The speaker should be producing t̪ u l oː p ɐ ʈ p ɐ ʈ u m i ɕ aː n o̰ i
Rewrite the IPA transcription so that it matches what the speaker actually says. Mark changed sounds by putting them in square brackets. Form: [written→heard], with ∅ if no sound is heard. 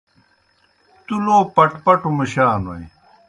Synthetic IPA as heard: t̪ u l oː p ɐ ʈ p ɐ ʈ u m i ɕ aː n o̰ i